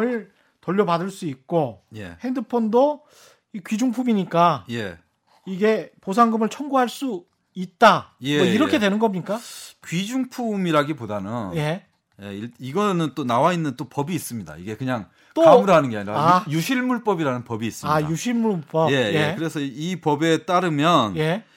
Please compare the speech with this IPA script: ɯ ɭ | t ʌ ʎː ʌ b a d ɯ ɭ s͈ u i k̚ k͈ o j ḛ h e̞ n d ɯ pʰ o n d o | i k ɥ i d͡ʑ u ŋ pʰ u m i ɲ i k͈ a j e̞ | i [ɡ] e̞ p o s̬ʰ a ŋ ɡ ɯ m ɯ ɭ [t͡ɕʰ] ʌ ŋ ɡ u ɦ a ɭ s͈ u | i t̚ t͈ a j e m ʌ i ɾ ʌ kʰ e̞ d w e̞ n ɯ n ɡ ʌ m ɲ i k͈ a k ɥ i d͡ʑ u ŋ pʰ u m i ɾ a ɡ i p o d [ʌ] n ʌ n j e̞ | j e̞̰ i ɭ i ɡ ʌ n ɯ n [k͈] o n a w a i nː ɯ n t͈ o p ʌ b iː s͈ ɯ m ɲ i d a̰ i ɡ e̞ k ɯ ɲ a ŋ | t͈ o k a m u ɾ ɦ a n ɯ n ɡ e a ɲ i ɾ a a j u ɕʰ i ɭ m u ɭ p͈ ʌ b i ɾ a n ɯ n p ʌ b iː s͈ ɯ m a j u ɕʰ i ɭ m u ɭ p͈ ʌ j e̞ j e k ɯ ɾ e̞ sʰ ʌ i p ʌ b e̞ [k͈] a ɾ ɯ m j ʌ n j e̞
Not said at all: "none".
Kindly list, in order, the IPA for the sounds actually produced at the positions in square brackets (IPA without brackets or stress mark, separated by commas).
ɡ, t͡ɕʰ, a, t͈, t͈